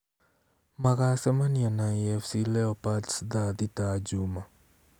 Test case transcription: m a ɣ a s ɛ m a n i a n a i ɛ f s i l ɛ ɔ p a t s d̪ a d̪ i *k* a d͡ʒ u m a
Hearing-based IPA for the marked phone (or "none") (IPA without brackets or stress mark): t